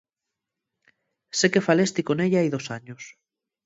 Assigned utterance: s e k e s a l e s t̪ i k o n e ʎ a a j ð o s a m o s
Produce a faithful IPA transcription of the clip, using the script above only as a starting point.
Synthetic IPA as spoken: s e k e f a l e s t̪ i k o n e ʎ a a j ð o s a ɲ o s